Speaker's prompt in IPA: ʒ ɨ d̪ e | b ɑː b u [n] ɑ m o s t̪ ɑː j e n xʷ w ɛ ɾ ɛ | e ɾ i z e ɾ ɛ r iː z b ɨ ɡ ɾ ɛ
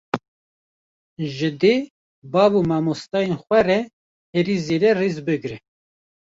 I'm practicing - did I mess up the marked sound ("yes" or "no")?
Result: yes